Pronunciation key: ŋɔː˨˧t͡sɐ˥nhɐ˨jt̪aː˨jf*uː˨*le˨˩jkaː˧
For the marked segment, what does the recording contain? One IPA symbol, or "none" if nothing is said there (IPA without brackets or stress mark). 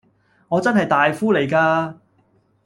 uː˥